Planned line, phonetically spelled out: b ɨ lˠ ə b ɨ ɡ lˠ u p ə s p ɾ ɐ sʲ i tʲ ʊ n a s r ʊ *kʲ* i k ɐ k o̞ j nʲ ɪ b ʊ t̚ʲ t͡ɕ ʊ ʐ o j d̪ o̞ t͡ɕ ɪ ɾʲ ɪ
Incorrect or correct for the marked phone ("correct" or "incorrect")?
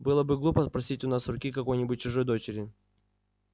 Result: correct